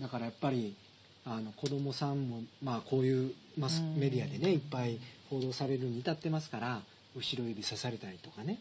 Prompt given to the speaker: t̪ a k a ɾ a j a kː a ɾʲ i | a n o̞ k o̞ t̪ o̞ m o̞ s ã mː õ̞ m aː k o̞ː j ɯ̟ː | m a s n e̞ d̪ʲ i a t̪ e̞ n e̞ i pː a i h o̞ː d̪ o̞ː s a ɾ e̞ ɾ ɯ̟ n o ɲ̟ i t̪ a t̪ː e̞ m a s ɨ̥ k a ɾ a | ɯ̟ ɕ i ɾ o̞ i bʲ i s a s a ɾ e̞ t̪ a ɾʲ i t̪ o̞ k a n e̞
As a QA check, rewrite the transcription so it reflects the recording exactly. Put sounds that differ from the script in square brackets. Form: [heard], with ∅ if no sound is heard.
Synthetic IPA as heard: [d̪] a k a ɾ a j a [pː] a ɾʲ i | a n o̞ k o̞ [d̪] o̞ m o̞ s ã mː [o̞] m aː k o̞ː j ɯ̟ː | m a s [m] e̞ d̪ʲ i a [d̪] e̞ n e̞ i pː a i h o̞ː d̪ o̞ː s a ɾ e̞ ɾ ɯ̟ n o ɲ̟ i t̪ a t̪ː e̞ m a s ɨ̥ k a ɾ a | ɯ̟ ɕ i ɾ o̞ i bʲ i s a s a ɾ e̞ t̪ a ɾʲ i t̪ o̞ k a n e̞